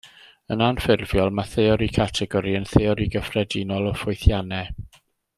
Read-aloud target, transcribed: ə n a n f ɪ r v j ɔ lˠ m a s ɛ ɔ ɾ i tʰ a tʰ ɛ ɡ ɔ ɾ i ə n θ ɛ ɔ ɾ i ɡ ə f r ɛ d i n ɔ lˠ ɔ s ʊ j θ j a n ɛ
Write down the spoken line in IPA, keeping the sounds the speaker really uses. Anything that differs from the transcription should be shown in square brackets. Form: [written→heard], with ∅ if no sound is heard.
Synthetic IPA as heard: ə n a n f ɪ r v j ɔ lˠ m a [s→θ] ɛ ɔ ɾ i [tʰ→kʰ] a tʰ ɛ ɡ ɔ ɾ i ə n θ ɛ ɔ ɾ i ɡ ə f r ɛ d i n ɔ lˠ ɔ [s→f] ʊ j θ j a n ɛ